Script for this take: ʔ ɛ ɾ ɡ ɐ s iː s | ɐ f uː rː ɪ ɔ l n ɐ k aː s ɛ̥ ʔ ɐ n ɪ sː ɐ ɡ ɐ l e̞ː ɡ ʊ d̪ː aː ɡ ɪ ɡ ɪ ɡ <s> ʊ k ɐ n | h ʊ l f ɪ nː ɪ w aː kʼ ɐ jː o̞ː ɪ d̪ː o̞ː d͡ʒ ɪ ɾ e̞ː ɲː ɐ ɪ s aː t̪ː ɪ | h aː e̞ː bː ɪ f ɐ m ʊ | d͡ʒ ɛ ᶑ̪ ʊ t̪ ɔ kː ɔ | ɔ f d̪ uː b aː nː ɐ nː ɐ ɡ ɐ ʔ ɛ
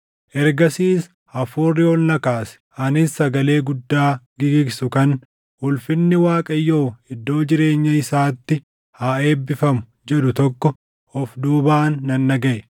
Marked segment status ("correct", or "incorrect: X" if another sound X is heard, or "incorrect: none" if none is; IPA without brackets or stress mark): correct